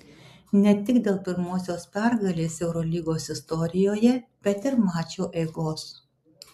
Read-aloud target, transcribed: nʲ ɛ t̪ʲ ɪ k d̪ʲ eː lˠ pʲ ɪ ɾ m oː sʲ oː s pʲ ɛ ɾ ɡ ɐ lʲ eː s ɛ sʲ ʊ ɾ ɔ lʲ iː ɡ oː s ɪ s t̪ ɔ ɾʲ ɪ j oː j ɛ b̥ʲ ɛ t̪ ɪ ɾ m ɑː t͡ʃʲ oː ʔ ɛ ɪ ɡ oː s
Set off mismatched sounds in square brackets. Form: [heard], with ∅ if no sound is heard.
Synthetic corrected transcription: nʲ ɛ t̪ʲ ɪ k d̪ʲ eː lˠ pʲ ɪ ɾ m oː sʲ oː s pʲ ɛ ɾ ɡ ɐ lʲ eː s ɛ [∅] ʊ ɾ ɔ lʲ iː ɡ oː s ɪ s t̪ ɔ ɾʲ ɪ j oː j ɛ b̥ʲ ɛ t̪ ɪ ɾ m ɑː t͡ʃʲ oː ʔ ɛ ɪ ɡ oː s